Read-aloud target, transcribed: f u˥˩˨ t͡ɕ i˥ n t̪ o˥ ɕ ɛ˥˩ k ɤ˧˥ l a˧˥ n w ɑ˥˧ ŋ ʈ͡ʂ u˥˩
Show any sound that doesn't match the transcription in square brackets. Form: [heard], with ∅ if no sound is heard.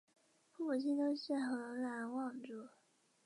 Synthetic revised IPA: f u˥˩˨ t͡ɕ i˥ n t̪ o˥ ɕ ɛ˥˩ [x] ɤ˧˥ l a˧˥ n w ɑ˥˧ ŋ ʈ͡ʂ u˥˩

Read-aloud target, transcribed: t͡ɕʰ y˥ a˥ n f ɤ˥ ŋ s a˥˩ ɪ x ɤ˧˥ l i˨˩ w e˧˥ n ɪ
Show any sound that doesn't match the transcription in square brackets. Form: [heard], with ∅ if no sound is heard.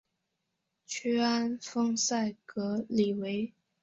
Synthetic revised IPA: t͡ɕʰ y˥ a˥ n f ɤ˥ ŋ s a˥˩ ɪ [k] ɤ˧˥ l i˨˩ w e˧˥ [∅] ɪ

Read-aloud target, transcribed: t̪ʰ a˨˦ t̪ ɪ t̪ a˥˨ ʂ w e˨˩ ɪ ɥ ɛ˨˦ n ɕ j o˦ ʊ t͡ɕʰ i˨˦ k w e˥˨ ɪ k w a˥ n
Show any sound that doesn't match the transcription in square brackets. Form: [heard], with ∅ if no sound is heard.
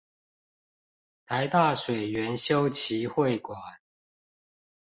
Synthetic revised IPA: t̪ʰ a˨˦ [∅] ɪ t̪ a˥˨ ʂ w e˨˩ ɪ ɥ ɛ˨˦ n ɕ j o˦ ʊ t͡ɕʰ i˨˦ [x] w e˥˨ ɪ k w [a˨˩] n

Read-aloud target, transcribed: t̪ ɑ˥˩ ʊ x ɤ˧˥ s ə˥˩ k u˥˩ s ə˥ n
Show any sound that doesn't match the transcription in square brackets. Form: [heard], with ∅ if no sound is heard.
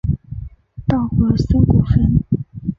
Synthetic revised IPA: t̪ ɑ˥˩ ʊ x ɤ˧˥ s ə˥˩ k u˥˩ [f] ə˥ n

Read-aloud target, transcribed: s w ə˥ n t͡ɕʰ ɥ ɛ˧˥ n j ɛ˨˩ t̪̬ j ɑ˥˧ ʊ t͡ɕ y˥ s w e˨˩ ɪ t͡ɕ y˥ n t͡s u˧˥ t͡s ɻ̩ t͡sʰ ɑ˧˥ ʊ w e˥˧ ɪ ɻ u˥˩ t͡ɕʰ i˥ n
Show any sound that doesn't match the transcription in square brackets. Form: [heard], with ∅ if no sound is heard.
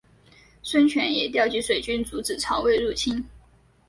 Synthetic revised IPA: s w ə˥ n t͡ɕʰ ɥ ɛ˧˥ n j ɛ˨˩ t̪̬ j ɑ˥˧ ʊ t͡ɕ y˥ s w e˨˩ ɪ t͡ɕ y˥ n t͡s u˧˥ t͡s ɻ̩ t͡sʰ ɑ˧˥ ʊ w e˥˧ ɪ ɻ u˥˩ t͡ɕʰ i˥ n

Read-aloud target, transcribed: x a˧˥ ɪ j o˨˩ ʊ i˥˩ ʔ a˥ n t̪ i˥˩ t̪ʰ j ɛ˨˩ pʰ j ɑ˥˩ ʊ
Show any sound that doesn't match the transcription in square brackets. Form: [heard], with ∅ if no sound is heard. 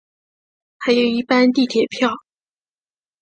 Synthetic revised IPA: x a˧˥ ɪ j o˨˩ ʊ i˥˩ [p] a˥ n t̪ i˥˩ t̪ʰ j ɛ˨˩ pʰ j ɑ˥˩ ʊ

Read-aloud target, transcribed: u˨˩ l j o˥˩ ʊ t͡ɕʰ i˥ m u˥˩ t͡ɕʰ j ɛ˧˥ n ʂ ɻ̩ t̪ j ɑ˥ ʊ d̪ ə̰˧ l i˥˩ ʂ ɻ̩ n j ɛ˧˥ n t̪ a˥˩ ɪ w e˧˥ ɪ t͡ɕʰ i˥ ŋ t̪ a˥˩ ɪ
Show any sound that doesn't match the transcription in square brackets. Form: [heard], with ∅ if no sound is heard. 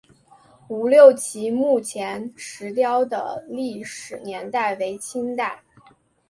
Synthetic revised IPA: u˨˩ l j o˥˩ ʊ t͡ɕʰ [i˧˥] m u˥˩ t͡ɕʰ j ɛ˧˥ n ʂ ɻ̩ t̪ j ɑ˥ ʊ d̪ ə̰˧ l i˥˩ ʂ ɻ̩ n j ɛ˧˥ n t̪ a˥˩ ɪ w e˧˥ ɪ t͡ɕʰ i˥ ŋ t̪ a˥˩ ɪ

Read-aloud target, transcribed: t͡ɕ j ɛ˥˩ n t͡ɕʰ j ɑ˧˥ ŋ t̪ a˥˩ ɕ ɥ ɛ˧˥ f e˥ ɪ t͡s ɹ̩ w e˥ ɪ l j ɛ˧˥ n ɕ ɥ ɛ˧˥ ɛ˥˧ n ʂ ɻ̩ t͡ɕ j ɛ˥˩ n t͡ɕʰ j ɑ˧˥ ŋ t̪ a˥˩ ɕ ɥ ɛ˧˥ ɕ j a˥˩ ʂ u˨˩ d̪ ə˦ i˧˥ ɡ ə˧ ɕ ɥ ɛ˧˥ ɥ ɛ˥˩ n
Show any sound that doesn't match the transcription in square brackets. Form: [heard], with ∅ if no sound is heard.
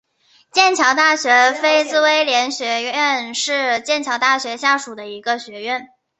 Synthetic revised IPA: t͡ɕ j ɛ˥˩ n t͡ɕʰ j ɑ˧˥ ŋ t̪ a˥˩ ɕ ɥ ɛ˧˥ f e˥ ɪ t͡s ɹ̩ w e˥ ɪ l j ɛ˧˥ n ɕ ɥ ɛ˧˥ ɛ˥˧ n ʂ ɻ̩ t͡ɕ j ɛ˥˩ n t͡ɕʰ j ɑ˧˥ ŋ t̪ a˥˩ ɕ ɥ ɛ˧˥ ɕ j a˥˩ ʂ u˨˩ d̪ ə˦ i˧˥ ɡ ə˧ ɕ ɥ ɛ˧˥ ɥ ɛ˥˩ n

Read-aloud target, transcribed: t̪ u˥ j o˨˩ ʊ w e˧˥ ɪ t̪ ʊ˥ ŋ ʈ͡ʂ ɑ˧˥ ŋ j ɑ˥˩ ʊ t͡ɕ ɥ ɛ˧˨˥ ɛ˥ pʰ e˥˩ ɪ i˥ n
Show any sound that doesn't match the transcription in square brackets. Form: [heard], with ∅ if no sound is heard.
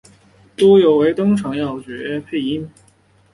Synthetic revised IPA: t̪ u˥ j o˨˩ ʊ w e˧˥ ɪ t̪ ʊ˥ ŋ [ʈ͡ʂʰ] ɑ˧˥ ŋ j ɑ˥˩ ʊ t͡ɕ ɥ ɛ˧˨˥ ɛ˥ pʰ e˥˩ ɪ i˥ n

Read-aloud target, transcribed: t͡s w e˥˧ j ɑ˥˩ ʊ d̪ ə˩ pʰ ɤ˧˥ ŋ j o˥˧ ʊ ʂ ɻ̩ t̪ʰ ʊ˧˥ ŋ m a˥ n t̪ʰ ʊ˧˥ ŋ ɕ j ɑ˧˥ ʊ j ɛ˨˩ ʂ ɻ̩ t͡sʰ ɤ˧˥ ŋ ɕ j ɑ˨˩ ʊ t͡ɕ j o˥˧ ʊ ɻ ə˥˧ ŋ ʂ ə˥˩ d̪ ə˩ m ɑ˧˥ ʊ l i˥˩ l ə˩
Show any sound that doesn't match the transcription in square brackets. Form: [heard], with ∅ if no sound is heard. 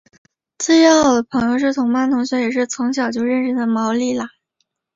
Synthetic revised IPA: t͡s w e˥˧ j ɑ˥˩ ʊ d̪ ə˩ pʰ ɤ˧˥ ŋ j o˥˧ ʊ ʂ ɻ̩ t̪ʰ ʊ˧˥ ŋ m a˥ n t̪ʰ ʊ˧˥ ŋ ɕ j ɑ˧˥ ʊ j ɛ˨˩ ʂ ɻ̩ t͡sʰ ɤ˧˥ ŋ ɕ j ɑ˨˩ ʊ t͡ɕ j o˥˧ ʊ ɻ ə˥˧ [n] ʂ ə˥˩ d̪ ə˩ m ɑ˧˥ ʊ l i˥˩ l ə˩

